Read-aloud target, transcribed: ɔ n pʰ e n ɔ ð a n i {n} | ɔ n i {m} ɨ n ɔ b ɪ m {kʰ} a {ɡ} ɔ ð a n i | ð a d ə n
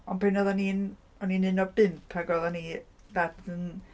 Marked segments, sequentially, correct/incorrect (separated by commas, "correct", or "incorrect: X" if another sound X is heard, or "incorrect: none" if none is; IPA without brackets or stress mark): correct, incorrect: n, incorrect: pʰ, correct